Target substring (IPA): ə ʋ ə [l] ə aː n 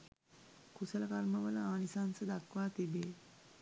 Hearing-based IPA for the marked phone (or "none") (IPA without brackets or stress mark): l